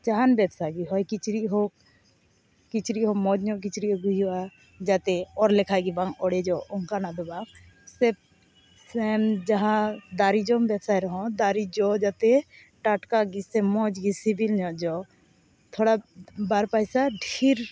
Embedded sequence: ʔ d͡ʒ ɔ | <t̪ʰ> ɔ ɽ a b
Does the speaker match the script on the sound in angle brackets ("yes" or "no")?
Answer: yes